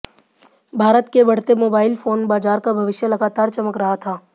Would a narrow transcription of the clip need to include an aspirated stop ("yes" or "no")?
yes